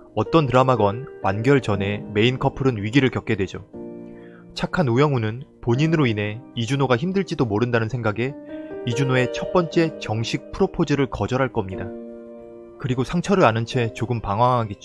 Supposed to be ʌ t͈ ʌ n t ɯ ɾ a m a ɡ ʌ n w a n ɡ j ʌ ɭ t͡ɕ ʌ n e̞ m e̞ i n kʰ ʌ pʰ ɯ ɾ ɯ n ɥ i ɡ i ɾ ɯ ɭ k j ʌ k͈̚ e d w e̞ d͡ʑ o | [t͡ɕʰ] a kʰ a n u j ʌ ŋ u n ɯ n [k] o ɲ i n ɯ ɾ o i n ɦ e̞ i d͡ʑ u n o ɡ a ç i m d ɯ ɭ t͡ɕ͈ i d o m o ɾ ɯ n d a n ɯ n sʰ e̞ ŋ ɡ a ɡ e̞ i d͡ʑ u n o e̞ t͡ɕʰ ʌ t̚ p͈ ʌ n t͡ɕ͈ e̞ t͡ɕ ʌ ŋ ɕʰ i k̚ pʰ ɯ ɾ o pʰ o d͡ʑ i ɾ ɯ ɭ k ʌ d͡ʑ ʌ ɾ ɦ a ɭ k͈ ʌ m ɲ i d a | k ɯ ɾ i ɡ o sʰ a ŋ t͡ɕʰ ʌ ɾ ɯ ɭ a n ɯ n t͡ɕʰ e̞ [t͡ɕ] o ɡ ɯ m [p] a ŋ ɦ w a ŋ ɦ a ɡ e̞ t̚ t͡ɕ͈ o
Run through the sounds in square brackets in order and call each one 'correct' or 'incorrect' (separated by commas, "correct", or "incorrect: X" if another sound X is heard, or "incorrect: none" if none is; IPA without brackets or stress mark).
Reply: correct, incorrect: p, correct, correct